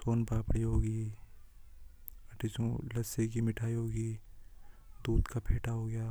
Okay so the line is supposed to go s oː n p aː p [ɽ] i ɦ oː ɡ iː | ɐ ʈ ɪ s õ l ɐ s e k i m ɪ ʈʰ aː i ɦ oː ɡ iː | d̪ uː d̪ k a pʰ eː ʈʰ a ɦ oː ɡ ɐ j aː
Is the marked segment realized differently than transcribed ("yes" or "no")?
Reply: no